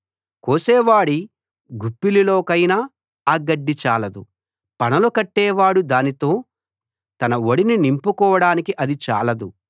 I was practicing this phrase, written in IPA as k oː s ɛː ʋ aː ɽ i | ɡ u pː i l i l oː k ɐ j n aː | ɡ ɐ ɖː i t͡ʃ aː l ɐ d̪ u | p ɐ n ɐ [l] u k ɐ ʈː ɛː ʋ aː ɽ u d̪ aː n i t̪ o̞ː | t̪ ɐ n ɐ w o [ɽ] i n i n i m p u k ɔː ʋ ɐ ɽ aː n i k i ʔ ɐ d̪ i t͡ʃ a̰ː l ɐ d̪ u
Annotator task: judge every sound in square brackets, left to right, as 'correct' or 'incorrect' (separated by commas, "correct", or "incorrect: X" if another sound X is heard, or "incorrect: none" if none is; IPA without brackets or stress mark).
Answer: correct, correct